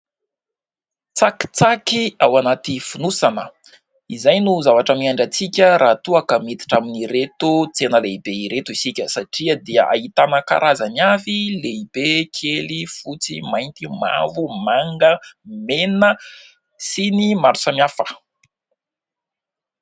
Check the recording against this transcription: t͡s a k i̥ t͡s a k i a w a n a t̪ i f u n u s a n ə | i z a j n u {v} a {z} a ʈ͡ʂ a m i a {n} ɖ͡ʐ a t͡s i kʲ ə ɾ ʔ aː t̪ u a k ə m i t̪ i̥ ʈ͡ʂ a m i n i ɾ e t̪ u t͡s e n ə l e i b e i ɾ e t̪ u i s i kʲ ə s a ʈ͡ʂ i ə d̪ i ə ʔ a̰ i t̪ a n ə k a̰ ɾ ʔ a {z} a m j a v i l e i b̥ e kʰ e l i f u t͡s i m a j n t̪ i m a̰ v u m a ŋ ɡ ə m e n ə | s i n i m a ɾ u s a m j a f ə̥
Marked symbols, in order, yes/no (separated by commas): no, no, no, yes